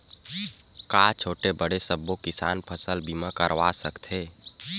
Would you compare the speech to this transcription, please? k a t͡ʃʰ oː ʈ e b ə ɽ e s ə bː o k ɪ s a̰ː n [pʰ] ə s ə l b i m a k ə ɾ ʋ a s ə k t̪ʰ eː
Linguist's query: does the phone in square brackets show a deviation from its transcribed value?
no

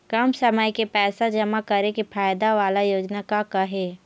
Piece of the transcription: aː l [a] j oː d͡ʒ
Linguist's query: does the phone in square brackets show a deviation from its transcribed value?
no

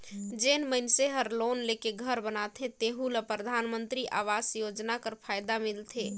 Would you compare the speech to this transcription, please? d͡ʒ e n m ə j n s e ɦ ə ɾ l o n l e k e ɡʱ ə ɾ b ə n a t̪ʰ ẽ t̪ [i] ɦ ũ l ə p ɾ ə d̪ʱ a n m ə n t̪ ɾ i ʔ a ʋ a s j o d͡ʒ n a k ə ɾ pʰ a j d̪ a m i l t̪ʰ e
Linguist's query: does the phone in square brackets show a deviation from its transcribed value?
yes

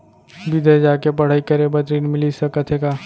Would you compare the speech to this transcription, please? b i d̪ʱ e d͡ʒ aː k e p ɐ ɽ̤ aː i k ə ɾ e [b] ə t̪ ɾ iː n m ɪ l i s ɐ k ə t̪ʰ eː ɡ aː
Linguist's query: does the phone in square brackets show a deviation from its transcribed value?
no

